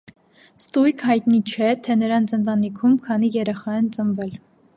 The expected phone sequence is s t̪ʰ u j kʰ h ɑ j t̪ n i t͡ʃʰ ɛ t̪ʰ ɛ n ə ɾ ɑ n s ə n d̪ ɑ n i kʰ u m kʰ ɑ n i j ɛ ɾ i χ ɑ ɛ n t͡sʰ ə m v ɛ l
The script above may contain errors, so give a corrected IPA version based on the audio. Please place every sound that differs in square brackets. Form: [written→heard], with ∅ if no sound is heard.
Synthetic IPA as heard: s [t̪ʰ→t̪] u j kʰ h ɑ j t̪ n i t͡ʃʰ ɛ t̪ʰ ɛ n ə ɾ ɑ n [s→t͡s] ə n [d̪→t̪] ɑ n i kʰ u m kʰ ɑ n i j ɛ ɾ [i→ɛ] χ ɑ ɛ n [t͡sʰ→t͡s] ə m v ɛ l